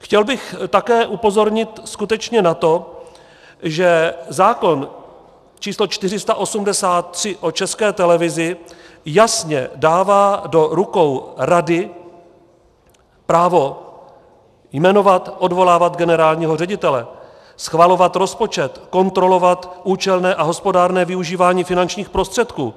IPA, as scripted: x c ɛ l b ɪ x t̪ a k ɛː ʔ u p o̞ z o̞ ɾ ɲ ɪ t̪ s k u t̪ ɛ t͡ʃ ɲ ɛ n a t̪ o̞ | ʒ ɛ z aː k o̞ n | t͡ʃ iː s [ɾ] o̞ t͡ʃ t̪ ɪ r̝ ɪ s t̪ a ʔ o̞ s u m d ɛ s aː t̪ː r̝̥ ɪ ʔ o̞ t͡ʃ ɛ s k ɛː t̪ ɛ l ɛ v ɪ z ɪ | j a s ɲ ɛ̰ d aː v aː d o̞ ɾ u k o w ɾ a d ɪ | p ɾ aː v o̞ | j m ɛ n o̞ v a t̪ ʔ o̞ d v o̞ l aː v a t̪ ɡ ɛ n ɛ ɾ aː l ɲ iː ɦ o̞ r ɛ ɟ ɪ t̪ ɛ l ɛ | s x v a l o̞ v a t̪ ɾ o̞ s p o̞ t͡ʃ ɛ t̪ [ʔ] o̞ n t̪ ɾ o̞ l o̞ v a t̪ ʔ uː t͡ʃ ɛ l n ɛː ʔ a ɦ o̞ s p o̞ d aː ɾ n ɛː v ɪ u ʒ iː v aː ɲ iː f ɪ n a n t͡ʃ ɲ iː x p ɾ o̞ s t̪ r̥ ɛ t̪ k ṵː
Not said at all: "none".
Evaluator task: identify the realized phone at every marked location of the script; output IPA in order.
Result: l, k

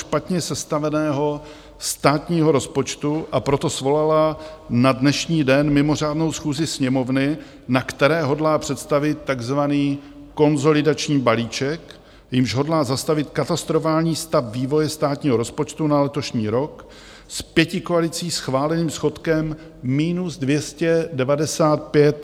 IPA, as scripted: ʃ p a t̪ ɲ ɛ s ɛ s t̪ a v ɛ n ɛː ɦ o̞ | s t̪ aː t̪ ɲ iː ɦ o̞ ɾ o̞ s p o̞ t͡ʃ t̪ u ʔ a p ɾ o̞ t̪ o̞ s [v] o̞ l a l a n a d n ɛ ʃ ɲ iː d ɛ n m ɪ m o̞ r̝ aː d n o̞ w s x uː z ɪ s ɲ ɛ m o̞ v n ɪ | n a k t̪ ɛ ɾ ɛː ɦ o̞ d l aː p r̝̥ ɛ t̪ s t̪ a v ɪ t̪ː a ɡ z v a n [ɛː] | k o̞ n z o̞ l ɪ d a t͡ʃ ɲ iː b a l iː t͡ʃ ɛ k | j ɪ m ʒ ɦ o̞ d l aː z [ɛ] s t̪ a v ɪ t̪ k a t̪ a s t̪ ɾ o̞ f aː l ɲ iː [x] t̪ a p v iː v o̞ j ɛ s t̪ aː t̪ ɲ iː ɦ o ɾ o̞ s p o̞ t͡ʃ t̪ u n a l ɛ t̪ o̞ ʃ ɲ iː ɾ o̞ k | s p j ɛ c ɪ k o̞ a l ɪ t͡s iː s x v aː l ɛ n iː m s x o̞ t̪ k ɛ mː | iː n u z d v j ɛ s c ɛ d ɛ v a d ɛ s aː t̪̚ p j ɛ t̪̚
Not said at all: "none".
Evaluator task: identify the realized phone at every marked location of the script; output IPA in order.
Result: v, iː, a, s

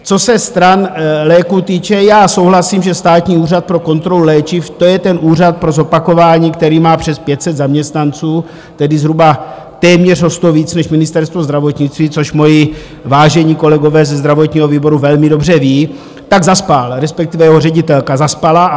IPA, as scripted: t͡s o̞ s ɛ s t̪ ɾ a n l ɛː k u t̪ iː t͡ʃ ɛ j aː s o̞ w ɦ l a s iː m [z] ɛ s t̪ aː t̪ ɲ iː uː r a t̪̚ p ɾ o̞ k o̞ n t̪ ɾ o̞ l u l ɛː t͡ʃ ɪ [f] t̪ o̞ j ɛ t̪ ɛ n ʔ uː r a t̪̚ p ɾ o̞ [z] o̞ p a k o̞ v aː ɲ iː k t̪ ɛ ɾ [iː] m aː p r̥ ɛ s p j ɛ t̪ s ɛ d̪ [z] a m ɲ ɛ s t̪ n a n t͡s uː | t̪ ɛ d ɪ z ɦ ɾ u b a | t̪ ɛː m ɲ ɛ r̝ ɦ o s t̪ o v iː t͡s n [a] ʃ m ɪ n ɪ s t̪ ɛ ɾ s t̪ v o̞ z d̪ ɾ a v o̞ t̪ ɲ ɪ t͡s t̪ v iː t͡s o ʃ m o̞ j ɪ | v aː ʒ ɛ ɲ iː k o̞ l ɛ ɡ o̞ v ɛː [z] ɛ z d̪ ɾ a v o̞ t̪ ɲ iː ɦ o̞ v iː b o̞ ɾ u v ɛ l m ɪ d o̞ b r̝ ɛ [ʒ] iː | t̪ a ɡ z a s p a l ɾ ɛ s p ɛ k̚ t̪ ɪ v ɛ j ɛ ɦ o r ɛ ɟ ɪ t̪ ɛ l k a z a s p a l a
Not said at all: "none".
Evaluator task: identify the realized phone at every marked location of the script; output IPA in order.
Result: ʒ, f, z, iː, z, ɛ, z, v

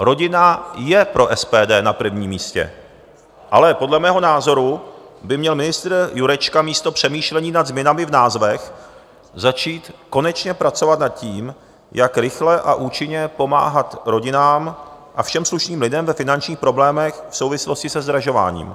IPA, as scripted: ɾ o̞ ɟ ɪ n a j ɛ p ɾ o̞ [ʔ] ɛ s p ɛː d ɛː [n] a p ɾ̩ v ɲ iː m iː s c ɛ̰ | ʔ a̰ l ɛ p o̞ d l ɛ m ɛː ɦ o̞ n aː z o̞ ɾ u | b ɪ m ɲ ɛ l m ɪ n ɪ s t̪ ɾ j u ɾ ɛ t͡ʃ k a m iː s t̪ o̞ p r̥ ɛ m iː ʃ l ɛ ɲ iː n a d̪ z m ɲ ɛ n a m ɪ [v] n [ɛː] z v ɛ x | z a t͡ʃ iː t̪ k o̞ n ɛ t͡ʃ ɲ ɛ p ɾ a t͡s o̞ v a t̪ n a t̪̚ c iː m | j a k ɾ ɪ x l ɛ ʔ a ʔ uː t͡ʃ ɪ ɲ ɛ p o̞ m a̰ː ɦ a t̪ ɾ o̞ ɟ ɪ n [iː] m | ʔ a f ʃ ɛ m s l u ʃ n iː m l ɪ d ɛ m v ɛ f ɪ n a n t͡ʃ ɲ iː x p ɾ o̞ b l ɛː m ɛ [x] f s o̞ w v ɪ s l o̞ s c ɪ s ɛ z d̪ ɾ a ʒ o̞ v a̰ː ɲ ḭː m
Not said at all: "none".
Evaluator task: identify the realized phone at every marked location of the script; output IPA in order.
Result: ʔ, n, v, aː, aː, x

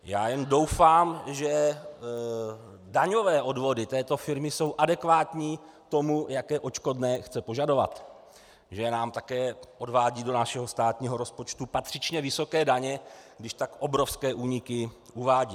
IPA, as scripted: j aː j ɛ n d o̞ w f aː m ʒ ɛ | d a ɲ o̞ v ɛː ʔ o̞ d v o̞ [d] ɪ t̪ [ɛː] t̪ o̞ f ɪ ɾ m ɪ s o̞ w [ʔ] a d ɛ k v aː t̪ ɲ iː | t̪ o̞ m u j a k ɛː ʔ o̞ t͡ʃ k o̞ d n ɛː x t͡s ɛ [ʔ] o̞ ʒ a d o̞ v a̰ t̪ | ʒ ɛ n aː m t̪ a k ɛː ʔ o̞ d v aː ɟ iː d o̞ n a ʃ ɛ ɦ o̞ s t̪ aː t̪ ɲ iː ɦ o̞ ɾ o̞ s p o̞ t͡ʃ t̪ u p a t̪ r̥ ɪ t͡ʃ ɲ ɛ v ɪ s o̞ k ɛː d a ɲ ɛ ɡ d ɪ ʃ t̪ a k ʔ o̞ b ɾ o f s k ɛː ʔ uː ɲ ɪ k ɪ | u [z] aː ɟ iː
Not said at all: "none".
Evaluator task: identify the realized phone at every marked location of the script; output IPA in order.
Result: d, ɛː, ʔ, p, v

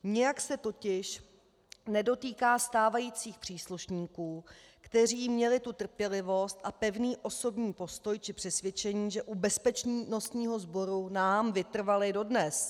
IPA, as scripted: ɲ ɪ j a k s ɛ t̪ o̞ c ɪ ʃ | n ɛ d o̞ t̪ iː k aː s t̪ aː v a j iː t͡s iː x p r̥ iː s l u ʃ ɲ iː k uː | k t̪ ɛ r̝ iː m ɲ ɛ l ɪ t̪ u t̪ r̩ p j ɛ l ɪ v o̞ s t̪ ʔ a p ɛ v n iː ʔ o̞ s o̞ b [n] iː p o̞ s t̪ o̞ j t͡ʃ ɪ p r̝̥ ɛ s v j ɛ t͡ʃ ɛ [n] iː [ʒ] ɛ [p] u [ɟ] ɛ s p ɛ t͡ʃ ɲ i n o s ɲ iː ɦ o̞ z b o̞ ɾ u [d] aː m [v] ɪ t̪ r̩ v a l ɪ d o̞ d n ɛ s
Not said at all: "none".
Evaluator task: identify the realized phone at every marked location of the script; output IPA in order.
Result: ɲ, ɲ, ʒ, ʔ, b, n, v

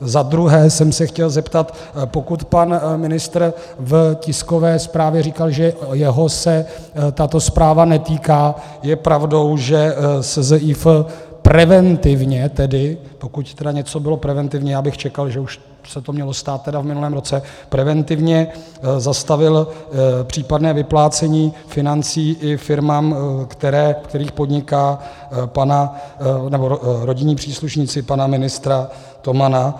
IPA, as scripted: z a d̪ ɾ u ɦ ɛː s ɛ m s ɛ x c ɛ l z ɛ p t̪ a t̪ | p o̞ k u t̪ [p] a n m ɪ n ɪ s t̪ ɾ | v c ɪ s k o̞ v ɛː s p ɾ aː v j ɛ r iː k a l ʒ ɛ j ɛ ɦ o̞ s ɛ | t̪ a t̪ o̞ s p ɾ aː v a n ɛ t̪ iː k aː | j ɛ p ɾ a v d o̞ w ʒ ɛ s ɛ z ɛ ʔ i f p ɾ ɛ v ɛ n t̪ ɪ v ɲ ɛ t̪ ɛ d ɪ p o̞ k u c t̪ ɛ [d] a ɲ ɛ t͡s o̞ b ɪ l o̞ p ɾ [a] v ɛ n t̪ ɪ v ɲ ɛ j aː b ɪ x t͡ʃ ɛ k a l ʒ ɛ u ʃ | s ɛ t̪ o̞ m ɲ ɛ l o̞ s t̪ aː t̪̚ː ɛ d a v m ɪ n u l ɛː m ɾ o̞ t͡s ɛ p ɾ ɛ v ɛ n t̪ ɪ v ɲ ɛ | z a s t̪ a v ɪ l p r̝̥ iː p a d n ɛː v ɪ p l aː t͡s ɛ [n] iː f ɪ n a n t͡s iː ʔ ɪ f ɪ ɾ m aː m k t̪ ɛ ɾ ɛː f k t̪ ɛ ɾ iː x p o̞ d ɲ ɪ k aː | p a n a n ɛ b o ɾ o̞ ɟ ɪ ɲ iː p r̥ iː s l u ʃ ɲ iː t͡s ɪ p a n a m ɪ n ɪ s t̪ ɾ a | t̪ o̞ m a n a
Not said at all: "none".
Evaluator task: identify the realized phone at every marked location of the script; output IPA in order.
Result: p, d, ɛ, ɲ

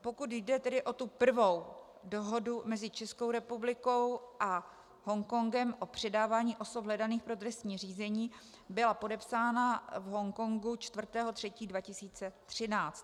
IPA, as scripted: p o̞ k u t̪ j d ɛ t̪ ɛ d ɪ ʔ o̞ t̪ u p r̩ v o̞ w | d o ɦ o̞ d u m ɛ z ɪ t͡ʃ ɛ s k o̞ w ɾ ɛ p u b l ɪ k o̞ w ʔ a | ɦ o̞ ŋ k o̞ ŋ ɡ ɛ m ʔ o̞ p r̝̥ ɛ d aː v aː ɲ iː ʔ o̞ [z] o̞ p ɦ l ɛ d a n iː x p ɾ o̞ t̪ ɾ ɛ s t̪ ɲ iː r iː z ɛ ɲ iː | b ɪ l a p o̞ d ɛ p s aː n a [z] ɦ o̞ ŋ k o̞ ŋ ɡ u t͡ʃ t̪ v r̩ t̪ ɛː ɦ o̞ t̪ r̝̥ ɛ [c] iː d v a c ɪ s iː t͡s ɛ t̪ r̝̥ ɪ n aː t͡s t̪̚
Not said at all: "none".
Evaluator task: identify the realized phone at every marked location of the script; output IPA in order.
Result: s, v, c

